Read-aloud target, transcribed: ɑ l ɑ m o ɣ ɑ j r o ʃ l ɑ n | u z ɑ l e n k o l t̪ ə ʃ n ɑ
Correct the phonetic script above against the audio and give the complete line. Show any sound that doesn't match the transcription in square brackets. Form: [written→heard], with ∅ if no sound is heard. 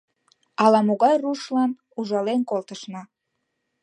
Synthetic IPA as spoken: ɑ l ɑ m o ɣ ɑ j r [o→u] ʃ l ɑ n | u [z→ʒ] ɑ l e n k o l t̪ ə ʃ n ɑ